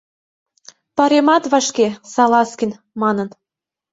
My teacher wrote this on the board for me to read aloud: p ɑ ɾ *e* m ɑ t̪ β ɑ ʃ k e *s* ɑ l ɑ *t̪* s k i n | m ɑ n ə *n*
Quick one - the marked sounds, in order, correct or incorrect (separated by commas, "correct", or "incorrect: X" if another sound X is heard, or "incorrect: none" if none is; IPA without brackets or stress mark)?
correct, correct, incorrect: none, correct